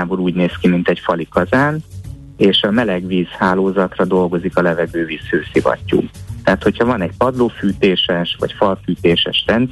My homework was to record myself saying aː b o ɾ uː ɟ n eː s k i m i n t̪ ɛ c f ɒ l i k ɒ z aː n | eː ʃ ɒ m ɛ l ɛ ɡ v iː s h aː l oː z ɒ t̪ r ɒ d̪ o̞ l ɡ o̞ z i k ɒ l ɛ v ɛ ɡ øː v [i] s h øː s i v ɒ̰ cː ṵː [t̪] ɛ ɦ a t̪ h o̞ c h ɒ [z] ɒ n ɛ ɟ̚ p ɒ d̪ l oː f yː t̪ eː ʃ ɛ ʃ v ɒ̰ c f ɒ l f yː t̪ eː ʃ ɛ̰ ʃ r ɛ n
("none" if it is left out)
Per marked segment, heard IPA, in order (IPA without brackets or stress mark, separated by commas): iː, t̪, v